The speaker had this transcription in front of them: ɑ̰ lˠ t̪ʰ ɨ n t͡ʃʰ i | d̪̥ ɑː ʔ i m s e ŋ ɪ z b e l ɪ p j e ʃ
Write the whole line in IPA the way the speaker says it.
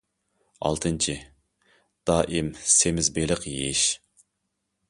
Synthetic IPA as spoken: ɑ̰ lˠ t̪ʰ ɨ n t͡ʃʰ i | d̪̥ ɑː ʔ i m s e m ɪ z b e l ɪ q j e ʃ